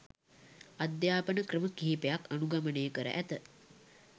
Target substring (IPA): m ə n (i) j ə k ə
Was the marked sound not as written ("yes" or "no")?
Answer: yes